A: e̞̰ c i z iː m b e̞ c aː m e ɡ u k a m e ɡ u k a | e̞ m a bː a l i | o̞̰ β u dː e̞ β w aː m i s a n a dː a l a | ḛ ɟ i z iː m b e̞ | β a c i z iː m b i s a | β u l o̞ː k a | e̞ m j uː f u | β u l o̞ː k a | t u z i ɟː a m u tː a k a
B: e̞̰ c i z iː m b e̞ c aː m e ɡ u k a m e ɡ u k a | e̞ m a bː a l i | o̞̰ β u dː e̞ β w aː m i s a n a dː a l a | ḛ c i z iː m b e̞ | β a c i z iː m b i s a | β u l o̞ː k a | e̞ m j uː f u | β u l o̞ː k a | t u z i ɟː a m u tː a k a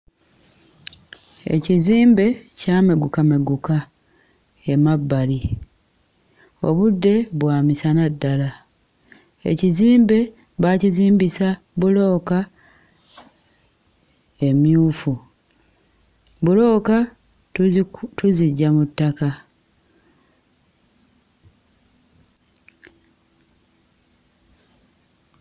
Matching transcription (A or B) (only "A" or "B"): B